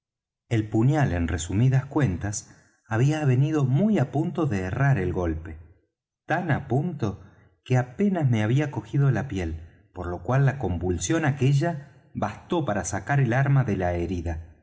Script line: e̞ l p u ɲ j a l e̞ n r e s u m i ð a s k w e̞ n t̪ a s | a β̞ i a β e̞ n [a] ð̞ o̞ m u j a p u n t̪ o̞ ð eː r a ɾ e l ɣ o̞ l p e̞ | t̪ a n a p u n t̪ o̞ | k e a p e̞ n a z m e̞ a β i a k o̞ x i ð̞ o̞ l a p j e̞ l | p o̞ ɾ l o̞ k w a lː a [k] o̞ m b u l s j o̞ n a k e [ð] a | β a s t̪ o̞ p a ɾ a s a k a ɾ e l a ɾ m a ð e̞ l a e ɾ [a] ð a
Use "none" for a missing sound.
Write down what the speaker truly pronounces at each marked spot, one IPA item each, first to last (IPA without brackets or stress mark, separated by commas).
i, k, ʒ, i